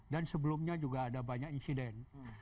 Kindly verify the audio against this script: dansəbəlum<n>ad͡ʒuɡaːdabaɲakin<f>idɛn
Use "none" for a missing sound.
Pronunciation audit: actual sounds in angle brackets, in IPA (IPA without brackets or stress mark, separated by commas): ɲ, s